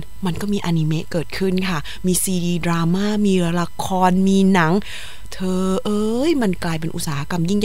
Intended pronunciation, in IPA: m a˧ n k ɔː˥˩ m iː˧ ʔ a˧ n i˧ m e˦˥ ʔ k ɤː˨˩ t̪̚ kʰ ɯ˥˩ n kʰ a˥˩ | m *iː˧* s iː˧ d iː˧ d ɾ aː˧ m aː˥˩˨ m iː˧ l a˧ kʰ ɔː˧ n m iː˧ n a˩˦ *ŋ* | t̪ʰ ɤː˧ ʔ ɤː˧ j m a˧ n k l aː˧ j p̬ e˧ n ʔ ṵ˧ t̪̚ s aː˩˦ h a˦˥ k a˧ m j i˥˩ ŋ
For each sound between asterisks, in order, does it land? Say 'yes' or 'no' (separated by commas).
yes, yes